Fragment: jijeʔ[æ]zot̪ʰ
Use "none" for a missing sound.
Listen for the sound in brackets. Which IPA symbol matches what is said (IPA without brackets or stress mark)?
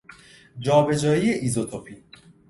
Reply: i